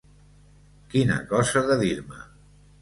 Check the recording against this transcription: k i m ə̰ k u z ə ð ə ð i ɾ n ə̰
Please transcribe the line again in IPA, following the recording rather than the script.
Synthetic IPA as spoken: k i n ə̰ k ɔ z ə ð ə ð i ɾ m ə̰